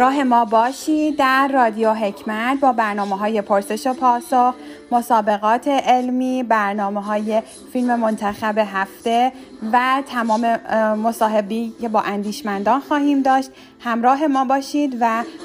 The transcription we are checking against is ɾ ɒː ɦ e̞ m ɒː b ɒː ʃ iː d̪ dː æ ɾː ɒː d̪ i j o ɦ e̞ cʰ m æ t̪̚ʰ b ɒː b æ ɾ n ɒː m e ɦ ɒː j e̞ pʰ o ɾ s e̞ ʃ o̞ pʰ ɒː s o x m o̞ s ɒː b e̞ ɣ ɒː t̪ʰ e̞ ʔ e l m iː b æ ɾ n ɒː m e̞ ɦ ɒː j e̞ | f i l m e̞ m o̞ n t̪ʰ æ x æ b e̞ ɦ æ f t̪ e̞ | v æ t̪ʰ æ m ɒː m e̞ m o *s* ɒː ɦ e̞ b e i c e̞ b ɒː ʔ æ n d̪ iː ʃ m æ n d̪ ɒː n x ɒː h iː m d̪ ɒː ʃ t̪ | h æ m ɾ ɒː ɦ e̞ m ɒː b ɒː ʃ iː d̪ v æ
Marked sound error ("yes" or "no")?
no